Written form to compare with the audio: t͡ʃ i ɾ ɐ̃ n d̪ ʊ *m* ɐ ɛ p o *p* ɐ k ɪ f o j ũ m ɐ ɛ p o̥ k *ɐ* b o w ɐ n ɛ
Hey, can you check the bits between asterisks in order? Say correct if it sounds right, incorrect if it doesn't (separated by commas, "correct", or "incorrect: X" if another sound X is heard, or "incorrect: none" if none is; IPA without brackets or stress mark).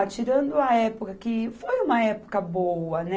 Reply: incorrect: none, incorrect: k, correct